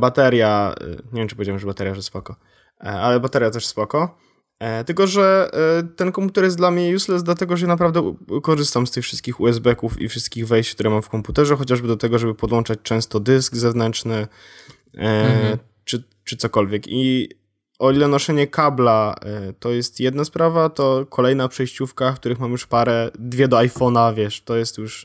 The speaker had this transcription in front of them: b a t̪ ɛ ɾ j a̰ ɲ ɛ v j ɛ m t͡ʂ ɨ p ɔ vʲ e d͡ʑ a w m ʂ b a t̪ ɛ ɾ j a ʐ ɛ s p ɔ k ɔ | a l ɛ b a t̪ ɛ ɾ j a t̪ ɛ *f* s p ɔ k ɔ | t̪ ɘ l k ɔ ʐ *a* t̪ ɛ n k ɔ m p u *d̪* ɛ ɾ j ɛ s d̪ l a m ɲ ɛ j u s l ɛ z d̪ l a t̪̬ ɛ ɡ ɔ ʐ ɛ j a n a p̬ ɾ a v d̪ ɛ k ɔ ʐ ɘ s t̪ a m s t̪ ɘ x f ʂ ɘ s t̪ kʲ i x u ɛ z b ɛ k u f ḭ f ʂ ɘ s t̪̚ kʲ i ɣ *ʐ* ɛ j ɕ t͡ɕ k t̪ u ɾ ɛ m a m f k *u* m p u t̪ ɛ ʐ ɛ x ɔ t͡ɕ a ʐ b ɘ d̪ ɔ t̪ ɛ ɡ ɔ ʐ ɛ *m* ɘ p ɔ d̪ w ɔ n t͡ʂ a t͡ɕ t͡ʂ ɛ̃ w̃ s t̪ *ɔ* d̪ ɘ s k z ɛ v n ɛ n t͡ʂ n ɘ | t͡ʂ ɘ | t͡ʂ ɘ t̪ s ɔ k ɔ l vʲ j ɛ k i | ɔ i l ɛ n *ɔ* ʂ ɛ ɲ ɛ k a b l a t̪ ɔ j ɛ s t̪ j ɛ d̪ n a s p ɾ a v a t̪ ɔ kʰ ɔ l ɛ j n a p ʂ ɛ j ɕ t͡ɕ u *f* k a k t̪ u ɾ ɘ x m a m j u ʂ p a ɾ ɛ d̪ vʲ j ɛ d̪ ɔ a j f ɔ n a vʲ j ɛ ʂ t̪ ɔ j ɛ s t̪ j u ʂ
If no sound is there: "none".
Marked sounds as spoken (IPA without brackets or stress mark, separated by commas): ʂ, ɛ, t̪, v, ɔ, b, ɔ, ɔ, f